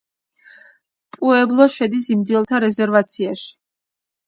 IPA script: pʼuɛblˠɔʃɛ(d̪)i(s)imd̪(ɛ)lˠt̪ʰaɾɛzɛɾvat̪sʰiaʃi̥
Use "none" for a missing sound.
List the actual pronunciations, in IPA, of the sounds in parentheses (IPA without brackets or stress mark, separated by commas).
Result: d̪, s, i